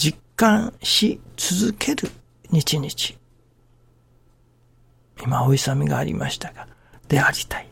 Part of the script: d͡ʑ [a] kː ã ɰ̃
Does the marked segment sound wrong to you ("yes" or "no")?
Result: yes